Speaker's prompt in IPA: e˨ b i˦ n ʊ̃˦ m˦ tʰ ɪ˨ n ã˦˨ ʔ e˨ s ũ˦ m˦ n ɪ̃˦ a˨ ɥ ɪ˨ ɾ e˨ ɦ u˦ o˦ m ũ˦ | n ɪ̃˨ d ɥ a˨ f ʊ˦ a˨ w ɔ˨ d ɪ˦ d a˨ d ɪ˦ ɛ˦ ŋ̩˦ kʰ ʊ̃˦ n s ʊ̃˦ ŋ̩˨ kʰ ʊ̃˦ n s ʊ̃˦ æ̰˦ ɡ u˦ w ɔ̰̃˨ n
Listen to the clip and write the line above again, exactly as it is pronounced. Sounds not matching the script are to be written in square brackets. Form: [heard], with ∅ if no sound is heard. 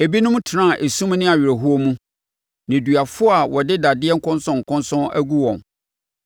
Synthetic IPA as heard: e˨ b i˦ n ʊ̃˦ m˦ tʰ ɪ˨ n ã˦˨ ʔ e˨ s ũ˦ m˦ n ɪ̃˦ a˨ ɥ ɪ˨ ɾ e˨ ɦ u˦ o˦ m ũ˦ | n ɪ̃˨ d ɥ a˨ f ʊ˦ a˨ w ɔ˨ d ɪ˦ d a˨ d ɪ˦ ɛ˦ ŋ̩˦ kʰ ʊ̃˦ n s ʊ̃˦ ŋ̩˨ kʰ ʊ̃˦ n s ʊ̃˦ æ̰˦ ɡ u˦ w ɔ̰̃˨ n